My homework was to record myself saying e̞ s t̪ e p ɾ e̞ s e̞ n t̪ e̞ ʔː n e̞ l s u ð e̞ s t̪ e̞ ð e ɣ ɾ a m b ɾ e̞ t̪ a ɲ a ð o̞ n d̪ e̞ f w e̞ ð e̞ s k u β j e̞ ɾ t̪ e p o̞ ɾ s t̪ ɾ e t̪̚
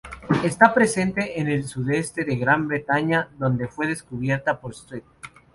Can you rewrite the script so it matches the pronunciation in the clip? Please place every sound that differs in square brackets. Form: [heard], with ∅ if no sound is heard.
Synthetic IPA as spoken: e̞ s t̪ [a] p ɾ e̞ s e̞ n t̪ e̞ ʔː n e̞ l s u ð e̞ s t̪ e̞ ð e ɣ ɾ a m b ɾ e̞ t̪ a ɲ a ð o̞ n d̪ e̞ f w e̞ ð e̞ s k u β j e̞ ɾ t̪ [a] p o̞ ɾ s t̪ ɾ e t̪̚